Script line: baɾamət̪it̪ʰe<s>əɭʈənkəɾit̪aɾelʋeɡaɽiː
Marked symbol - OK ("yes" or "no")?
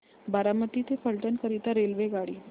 no